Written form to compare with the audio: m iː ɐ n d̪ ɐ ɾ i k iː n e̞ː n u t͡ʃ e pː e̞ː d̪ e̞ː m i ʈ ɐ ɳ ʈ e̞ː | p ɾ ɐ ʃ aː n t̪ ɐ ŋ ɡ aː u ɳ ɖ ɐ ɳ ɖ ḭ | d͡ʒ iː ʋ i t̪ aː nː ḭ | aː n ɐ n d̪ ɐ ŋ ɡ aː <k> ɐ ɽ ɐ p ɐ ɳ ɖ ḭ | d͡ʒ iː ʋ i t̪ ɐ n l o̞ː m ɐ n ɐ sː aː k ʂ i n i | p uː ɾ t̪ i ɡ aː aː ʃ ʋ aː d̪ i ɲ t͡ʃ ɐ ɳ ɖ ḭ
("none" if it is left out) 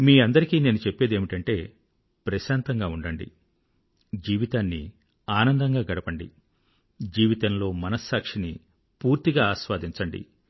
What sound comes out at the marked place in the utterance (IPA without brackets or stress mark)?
ɡ